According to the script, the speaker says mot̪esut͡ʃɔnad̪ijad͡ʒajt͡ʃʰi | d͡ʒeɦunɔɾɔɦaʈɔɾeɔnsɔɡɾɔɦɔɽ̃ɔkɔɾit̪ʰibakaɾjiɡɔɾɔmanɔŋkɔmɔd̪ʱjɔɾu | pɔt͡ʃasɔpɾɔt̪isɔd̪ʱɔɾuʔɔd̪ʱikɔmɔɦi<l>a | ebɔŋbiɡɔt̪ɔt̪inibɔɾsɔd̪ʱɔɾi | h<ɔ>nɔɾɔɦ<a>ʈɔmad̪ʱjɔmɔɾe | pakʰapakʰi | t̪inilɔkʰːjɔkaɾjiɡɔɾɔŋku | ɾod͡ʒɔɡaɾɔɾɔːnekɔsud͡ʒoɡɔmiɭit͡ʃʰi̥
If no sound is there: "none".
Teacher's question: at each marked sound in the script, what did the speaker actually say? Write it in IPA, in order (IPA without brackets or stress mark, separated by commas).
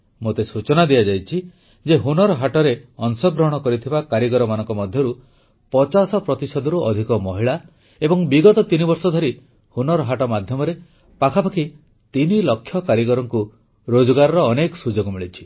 ɭ, u, a